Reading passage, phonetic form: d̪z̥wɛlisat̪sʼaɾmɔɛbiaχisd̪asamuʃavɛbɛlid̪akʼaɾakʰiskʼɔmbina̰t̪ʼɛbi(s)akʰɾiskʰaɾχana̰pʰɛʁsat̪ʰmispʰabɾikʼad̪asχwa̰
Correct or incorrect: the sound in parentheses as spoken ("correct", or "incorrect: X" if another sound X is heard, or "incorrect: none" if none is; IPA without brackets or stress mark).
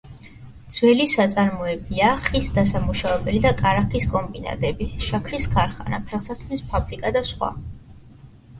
incorrect: ʃ